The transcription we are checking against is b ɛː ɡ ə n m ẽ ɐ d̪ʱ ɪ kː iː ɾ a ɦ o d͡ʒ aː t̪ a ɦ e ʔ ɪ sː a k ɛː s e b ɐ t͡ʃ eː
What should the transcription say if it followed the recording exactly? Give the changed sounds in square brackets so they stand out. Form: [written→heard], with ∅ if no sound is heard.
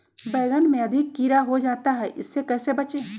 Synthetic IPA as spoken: b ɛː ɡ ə n m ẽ ɐ d̪ʱ ɪ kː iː ɾ a ɦ o d͡ʒ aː t̪ a ɦ [e→ɛ] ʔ ɪ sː [a→e] k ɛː s e b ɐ t͡ʃ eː